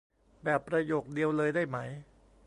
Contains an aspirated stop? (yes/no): no